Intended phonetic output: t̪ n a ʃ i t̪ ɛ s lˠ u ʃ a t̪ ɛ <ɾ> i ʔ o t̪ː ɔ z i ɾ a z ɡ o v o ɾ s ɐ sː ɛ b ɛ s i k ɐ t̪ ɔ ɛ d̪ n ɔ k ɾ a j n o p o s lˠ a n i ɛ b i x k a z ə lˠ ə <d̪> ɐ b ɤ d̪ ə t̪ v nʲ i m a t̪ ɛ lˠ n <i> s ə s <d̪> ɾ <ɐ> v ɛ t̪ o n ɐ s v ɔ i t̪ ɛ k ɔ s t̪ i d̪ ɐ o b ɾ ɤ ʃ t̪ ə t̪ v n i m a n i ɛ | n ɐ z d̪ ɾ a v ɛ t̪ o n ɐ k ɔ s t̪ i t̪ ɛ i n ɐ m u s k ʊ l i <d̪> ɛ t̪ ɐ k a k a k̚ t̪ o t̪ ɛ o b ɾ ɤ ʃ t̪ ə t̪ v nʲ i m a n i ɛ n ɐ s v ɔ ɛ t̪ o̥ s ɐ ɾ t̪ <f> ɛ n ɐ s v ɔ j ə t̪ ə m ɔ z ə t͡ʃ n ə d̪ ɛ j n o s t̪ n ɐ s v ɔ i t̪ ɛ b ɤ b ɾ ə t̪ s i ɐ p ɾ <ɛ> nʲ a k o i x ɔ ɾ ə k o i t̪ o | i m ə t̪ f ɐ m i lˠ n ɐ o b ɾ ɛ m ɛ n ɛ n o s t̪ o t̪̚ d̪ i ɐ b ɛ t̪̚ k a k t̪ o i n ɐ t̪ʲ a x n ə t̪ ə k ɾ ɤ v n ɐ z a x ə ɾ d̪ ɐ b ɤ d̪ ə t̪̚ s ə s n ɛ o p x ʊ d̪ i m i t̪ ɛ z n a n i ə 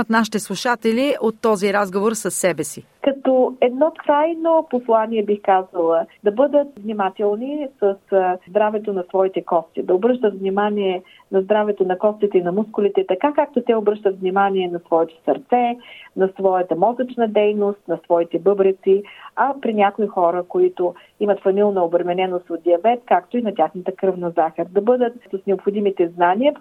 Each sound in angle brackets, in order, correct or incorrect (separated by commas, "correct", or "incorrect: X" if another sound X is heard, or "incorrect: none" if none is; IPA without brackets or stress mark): incorrect: l, correct, correct, correct, incorrect: a, incorrect: t̪, incorrect: s, incorrect: i